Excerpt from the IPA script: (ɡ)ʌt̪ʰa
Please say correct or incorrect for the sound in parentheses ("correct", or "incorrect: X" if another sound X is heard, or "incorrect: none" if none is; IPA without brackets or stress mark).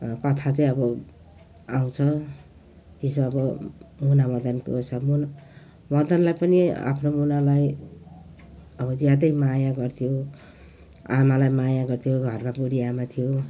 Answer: incorrect: k